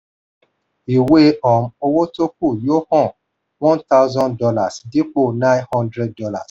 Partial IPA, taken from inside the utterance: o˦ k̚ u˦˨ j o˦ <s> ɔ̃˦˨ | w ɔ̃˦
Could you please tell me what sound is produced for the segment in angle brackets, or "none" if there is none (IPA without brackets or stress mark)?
h